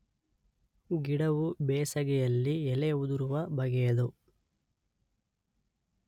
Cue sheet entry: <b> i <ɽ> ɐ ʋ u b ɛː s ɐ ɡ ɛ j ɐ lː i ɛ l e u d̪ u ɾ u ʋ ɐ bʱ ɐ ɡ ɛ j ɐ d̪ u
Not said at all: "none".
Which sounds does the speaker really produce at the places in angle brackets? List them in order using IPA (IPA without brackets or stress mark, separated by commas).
ɡ, ɽ